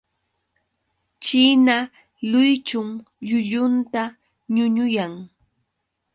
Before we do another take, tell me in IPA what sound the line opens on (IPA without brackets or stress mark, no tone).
t͡ʃ